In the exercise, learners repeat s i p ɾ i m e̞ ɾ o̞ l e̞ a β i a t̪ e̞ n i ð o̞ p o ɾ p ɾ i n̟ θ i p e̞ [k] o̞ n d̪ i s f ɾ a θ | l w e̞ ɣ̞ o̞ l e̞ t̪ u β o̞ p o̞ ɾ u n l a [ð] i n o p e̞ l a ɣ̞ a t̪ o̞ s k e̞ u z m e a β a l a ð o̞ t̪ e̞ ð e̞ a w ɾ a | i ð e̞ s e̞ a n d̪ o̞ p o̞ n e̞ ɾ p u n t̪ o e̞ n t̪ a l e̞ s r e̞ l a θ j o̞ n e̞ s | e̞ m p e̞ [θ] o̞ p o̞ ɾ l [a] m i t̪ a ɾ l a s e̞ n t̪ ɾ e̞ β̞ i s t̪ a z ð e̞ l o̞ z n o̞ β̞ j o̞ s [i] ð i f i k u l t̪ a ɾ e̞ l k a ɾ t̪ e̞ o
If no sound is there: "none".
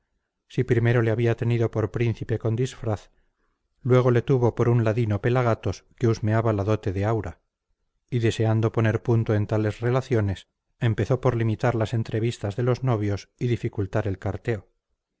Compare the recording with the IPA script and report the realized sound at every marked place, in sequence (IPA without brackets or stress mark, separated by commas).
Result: k, ð, θ, i, i